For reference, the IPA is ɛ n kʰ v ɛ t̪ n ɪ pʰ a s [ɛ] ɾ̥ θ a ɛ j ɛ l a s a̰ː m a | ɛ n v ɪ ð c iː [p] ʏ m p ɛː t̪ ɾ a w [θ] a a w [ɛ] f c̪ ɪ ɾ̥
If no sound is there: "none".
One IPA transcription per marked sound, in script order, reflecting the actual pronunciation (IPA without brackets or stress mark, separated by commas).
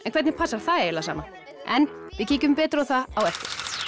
a, c, θ, ɛ